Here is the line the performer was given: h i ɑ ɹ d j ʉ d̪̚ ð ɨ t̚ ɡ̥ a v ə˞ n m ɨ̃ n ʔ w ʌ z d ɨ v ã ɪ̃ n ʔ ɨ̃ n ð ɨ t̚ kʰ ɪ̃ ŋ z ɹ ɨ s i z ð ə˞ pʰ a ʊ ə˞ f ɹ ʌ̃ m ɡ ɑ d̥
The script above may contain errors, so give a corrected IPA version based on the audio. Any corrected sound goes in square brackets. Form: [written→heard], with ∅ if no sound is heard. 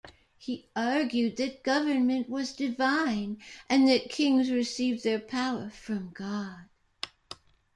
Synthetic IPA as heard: h i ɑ ɹ [d→ɡ] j ʉ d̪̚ ð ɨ t̚ ɡ̥ [a→ʌ] v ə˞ n m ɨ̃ n ʔ w ʌ z d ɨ v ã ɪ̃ n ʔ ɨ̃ n ð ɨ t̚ kʰ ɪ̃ ŋ z ɹ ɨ s i [z→v] ð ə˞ pʰ a ʊ ə˞ f ɹ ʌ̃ m ɡ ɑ d̥

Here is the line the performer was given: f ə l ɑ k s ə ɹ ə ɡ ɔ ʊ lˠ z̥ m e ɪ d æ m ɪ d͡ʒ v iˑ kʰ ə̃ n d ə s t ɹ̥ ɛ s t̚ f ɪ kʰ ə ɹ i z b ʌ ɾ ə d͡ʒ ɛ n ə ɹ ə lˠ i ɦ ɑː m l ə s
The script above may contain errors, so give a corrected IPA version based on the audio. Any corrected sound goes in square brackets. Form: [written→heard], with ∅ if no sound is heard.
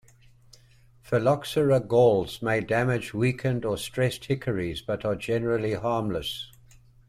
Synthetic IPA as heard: f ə l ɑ k s ə ɹ ə ɡ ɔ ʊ lˠ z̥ m e ɪ d æ m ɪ d͡ʒ [v→w] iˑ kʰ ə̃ n d ə s t ɹ̥ ɛ s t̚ [f→h] ɪ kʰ ə ɹ i z b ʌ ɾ ə d͡ʒ ɛ n ə ɹ ə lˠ i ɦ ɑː m l ə s

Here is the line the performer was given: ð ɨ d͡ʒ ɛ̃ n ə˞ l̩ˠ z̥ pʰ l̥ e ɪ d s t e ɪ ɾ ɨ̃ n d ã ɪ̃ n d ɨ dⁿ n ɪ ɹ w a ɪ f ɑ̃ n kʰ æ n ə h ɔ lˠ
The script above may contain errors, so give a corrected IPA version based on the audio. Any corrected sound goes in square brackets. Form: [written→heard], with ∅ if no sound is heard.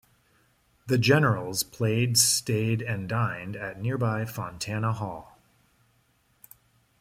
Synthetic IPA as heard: ð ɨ d͡ʒ [ɛ̃→ɛ] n ə˞ l̩ˠ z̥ pʰ l̥ e ɪ d s t e ɪ ɾ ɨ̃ n d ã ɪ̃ n d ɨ [dⁿ→tⁿ] n ɪ ɹ [w→b] a ɪ f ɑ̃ n [kʰ→tʰ] æ n ə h ɔ lˠ

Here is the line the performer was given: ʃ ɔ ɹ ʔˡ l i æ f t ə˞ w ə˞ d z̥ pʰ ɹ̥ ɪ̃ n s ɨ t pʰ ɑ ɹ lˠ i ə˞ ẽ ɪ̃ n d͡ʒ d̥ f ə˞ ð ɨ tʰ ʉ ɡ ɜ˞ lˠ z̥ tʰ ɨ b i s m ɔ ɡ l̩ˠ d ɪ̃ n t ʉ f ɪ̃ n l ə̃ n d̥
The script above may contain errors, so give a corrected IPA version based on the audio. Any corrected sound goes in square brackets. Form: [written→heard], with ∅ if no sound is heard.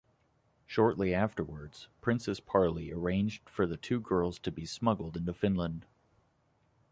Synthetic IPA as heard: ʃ ɔ ɹ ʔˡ l i æ f t ə˞ w ə˞ d z̥ pʰ ɹ̥ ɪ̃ n s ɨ [t→s] pʰ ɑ ɹ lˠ i ə˞ ẽ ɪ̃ n d͡ʒ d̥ f ə˞ ð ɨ tʰ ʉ ɡ ɜ˞ lˠ z̥ tʰ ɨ b i s m [ɔ→ʌ] ɡ l̩ˠ d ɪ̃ n t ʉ f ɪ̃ n l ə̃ n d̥

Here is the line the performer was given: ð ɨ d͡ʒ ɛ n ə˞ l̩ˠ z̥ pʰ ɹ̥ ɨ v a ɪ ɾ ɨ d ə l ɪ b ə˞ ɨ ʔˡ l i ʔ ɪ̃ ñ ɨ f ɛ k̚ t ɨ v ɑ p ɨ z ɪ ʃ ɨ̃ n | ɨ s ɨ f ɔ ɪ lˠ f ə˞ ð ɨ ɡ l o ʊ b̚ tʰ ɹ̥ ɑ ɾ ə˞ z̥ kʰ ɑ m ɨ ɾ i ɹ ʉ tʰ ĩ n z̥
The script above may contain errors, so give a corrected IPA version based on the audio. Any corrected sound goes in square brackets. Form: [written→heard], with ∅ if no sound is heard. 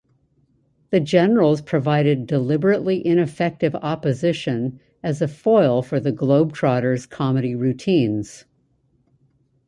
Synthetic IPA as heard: ð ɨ d͡ʒ ɛ n ə˞ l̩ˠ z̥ pʰ ɹ̥ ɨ v a ɪ ɾ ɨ d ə l ɪ b ə˞ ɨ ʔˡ l i ʔ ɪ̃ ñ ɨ f ɛ k̚ t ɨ v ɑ p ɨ z ɪ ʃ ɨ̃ n | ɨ [s→z] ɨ f ɔ ɪ lˠ f ə˞ ð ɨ ɡ l o ʊ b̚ tʰ ɹ̥ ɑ ɾ ə˞ z̥ kʰ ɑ m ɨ ɾ i ɹ ʉ tʰ ĩ n z̥

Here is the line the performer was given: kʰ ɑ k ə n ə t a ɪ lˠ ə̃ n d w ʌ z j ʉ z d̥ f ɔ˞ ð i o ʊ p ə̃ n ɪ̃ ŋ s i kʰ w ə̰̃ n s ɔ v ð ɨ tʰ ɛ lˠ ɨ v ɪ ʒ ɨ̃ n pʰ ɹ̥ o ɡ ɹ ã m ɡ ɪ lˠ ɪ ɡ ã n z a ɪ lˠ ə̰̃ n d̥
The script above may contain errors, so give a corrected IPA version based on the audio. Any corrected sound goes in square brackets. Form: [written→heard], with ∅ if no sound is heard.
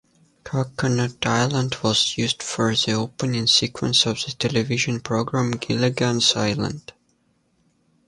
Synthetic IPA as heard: kʰ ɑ k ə n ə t a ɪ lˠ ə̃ n d w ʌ z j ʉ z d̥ f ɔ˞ ð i o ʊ p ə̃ n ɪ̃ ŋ s i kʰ w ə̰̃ n s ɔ v ð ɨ tʰ ɛ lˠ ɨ v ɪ ʒ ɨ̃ n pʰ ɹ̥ o ɡ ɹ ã m ɡ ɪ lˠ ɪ ɡ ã n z a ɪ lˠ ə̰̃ n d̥

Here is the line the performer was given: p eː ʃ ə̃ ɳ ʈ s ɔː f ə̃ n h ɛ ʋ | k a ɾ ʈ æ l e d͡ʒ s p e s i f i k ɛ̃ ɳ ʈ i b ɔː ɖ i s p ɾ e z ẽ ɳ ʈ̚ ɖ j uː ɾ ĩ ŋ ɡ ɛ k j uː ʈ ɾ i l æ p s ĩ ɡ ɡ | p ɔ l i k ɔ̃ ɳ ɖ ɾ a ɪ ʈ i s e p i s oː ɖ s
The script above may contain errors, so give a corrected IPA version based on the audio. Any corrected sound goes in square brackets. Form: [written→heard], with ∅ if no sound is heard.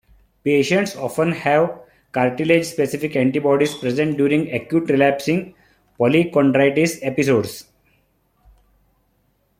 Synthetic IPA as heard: p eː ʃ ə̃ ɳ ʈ s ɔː f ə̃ n h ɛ ʋ | k a ɾ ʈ [æ→i] l e d͡ʒ s p e s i f i k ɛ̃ ɳ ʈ i b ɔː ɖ i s p ɾ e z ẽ ɳ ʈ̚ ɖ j uː ɾ ĩ ŋ ɡ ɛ k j uː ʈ ɾ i l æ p s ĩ [ɡ→ŋ] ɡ | p ɔ l i k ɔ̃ ɳ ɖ ɾ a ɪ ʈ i s e p i s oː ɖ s

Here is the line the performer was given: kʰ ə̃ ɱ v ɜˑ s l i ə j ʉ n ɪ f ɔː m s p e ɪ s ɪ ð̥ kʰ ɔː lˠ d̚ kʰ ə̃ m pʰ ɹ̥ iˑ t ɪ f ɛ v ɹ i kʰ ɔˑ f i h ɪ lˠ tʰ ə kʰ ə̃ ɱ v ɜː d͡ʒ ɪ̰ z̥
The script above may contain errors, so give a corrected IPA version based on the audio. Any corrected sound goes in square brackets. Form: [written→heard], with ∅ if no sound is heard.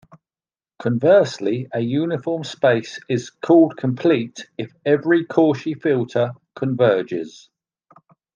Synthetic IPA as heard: kʰ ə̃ ɱ v ɜˑ s l i ə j [ʉ→ʉː] n ɪ f ɔː m s p e ɪ s ɪ [ð̥→z̥] kʰ ɔː lˠ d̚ kʰ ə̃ m pʰ [ɹ̥→l̥] iˑ t ɪ f ɛ v ɹ i kʰ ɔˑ [f→ʃ] i [h→f] ɪ lˠ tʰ ə kʰ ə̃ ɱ v ɜː d͡ʒ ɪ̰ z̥

